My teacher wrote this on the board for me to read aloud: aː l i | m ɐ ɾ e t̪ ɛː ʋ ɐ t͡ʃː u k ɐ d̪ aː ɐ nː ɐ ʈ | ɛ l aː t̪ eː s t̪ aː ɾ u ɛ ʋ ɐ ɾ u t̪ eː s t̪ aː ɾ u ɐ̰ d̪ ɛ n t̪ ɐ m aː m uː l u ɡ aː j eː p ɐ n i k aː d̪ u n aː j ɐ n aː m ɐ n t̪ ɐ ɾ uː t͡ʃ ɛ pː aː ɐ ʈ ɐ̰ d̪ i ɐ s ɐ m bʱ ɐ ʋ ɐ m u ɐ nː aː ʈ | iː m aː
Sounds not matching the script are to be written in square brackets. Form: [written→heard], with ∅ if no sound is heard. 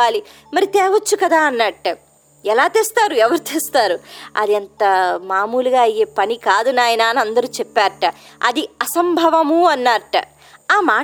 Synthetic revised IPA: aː l i | m ɐ ɾ [e→i] t̪ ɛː ʋ ɐ t͡ʃː u k ɐ d̪ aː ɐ nː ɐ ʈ | ɛ l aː t̪ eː s t̪ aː ɾ u ɛ ʋ ɐ ɾ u t̪ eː s t̪ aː ɾ u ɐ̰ d̪ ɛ n t̪ ɐ m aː m uː l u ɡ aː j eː p ɐ n i k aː d̪ u n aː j ɐ n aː [m→n] ɐ n [t̪→d̪] ɐ ɾ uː t͡ʃ ɛ pː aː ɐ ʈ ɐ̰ d̪ i ɐ s ɐ m bʱ ɐ ʋ ɐ m u ɐ nː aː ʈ | [iː→aː] m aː